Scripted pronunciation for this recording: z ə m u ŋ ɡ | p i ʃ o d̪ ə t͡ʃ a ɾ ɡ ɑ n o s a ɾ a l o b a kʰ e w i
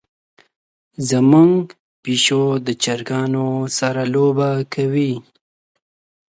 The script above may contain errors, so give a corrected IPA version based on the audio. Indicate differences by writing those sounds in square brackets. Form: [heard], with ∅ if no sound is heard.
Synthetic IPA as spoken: z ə m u ŋ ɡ | p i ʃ o d̪ ə t͡ʃ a ɾ ɡ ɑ n o s a ɾ a l o b a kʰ [a] w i

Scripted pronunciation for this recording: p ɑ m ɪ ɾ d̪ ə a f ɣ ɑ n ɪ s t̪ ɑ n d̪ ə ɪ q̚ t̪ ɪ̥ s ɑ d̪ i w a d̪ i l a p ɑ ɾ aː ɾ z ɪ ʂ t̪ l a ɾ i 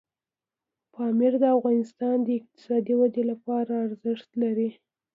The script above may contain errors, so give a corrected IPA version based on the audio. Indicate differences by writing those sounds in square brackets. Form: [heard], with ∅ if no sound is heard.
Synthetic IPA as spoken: p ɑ m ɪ ɾ d̪ ə a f ɣ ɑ n ɪ s t̪ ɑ n d̪ ə ɪ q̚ t̪ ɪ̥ s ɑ d̪ i w a d̪ [e] l a p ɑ ɾ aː ɾ z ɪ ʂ t̪ l a ɾ i

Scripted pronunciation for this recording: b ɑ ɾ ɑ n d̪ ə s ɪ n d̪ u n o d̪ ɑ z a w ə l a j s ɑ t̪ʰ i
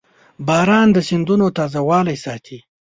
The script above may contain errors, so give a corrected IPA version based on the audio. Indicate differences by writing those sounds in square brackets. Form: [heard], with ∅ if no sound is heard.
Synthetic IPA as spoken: b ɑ ɾ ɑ n d̪ ə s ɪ n d̪ u n o [t̪] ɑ z a w [ɑ] l a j s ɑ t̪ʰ i

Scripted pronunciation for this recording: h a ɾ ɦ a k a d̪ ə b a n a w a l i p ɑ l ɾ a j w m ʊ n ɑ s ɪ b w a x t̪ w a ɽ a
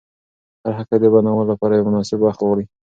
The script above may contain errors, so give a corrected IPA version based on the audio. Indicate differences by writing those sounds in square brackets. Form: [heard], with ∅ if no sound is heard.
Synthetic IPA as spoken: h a ɾ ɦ a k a d̪ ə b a n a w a l [a] p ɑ [∅] ɾ a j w m ʊ n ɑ s ɪ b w a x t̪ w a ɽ [i]

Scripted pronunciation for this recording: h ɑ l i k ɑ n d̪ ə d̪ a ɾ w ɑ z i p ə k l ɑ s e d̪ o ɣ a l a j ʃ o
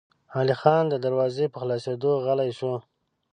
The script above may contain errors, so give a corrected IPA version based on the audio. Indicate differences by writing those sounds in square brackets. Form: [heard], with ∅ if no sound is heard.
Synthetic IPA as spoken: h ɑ l i [x] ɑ n d̪ ə d̪ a ɾ w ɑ z [e] p ə [x] l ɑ s e d̪ o ɣ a l a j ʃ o

